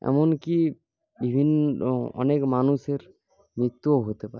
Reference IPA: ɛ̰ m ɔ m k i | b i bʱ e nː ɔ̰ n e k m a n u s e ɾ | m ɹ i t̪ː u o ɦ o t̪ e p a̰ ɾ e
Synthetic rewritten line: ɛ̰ m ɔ n k i | b i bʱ i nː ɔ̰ n e k m a n u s e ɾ | m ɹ i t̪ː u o ɦ o t̪ e p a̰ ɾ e